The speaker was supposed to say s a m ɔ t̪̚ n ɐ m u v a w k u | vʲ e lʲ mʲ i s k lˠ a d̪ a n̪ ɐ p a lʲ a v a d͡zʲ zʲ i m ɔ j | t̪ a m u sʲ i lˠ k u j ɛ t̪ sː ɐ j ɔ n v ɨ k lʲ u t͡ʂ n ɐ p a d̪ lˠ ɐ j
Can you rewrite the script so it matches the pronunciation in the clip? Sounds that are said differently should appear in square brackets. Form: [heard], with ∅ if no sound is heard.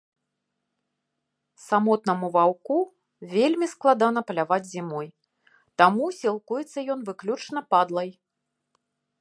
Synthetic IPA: s a m ɔ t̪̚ n ɐ m u v a w k u | vʲ e lʲ mʲ i s k lˠ a d̪ a n̪ ɐ p [ɐ] lʲ a v a d͡zʲ zʲ i m ɔ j | t̪ a m u sʲ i lˠ k u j ɛ t̪ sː ɐ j ɔ n v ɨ k lʲ u t͡ʂ n ɐ p a d̪ lˠ ɐ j